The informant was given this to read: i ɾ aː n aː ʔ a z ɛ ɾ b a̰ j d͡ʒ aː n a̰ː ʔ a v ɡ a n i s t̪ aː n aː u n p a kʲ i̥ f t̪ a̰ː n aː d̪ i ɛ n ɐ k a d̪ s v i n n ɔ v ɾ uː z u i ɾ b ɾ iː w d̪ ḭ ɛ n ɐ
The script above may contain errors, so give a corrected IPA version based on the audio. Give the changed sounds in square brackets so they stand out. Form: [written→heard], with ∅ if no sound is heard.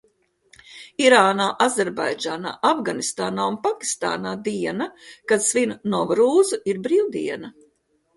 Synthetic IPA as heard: i ɾ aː n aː ʔ a z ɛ ɾ b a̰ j d͡ʒ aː n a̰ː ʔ a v ɡ a n i s t̪ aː n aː u n p a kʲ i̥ [f→s] t̪ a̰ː n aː d̪ i ɛ n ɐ k a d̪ s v i n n ɔ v ɾ uː z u i ɾ b ɾ iː w d̪ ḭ ɛ n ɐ